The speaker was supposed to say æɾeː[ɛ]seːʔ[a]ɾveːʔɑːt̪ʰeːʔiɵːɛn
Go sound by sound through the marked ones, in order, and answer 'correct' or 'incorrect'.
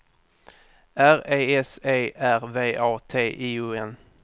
correct, incorrect

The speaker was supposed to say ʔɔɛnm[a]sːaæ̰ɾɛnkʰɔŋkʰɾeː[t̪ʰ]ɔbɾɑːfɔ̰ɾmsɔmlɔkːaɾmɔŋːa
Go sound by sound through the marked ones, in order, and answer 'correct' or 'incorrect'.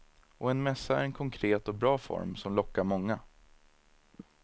incorrect, incorrect

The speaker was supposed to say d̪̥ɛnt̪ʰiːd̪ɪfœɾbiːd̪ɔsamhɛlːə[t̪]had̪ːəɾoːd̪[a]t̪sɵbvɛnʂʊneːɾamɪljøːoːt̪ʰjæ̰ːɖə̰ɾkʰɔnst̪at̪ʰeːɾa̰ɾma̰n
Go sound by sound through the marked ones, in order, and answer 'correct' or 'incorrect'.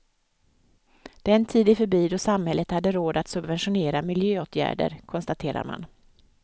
correct, correct

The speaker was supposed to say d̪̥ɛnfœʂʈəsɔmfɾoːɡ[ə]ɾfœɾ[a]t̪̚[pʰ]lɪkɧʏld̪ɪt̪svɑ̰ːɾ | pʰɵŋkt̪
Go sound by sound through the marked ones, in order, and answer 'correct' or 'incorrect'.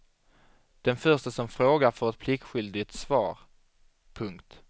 incorrect, incorrect, correct

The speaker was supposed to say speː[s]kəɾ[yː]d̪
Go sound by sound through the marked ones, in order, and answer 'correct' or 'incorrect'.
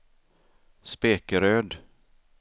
incorrect, incorrect

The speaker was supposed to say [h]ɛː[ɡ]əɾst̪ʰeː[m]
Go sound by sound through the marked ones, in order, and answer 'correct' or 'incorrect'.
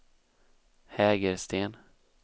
correct, correct, incorrect

